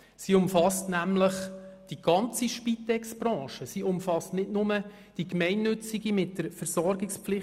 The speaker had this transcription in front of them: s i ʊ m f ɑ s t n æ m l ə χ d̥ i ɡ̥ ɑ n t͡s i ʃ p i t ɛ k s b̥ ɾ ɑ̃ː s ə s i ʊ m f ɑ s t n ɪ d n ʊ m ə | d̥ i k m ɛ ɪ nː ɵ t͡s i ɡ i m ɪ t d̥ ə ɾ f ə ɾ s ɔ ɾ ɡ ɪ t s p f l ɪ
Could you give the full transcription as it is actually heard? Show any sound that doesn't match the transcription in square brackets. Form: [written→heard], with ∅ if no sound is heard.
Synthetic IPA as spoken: s i ʊ m f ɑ s t n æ m l ə χ d̥ i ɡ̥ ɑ n t͡s i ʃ p i t ɛ k s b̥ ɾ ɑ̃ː [s→ʃ] ə s i ʊ m f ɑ s t n ɪ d n ʊ m ə | d̥ i k m ɛ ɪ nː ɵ t͡s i ɡ i m ɪ t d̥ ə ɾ f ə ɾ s ɔ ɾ ɡ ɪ [t→k] s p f l ɪ